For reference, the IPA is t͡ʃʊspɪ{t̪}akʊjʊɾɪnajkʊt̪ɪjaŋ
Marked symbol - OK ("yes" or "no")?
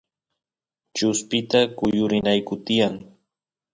yes